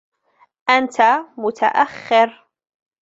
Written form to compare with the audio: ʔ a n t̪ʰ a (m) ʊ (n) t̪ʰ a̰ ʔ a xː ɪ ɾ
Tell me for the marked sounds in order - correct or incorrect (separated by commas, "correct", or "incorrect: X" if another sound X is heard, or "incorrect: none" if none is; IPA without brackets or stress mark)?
correct, incorrect: none